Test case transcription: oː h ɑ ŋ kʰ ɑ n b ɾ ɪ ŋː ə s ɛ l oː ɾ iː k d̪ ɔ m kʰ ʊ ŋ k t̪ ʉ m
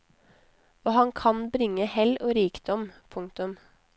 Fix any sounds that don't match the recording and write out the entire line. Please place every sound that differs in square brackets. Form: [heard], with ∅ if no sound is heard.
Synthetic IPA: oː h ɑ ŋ kʰ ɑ n b ɾ ɪ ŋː ə [h] ɛ l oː ɾ iː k d̪ ɔ m [pʰ] ʊ ŋ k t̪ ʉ m

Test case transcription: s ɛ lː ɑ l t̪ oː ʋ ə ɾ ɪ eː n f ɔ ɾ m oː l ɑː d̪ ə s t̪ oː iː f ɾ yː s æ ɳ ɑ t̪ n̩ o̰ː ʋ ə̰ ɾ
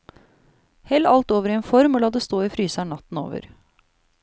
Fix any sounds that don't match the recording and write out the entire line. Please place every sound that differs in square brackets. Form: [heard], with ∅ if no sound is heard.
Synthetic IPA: [h] ɛ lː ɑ l t̪ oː ʋ ə ɾ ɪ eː n f ɔ ɾ m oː l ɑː d̪ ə s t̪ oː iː f ɾ yː s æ ɳ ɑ t̪ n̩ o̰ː ʋ ə̰ ɾ

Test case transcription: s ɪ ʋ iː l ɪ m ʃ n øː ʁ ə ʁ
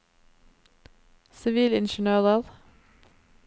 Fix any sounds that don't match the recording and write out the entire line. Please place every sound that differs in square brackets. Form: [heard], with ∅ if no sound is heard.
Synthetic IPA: s ɪ ʋ iː l ɪ [n] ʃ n øː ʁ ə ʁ

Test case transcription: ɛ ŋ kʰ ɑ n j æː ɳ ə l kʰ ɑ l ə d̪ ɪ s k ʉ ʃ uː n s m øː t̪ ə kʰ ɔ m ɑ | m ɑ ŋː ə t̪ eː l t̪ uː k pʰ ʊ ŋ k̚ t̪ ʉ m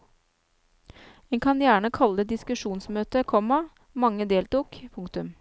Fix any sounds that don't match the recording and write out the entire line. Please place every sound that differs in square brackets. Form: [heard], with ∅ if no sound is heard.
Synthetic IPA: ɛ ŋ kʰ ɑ n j æː ɳ ə [∅] kʰ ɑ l ə d̪ ɪ s k ʉ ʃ uː n s m øː t̪ ə kʰ ɔ m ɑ | m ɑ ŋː ə [d̪] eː l t̪ uː k pʰ ʊ ŋ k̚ t̪ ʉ m

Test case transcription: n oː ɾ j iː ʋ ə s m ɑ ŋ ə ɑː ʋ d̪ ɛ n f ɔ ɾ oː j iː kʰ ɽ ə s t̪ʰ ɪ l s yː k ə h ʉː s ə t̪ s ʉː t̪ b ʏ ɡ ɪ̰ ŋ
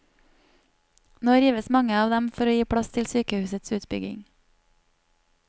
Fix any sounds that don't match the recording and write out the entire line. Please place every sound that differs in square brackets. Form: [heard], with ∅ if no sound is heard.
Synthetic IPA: n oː ɾ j iː ʋ ə s m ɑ ŋ ə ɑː ʋ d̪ ɛ [m] f ɔ ɾ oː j iː [pʰ] ɽ [ɑ] s t̪ʰ ɪ l s yː k ə h ʉː s ə t̪ s ʉː t̪ b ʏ ɡ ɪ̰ ŋ

